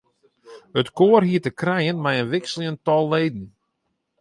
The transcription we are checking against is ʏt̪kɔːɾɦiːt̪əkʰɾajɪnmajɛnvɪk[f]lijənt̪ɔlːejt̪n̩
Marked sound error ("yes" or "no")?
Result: yes